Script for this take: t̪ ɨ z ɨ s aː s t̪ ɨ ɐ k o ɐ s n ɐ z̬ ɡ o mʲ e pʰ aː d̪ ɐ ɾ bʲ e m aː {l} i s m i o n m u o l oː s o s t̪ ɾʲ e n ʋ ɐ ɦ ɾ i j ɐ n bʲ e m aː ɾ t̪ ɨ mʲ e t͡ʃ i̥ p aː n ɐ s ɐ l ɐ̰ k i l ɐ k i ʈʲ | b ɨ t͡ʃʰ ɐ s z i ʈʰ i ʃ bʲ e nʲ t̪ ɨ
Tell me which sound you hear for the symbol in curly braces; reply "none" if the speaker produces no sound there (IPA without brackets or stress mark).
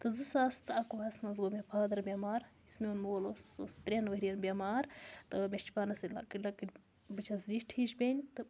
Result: ɾ